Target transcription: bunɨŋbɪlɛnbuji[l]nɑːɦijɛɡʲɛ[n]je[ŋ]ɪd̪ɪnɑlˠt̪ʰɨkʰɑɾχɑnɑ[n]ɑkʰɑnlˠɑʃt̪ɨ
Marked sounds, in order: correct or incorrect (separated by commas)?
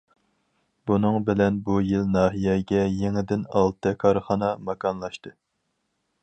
correct, incorrect, correct, incorrect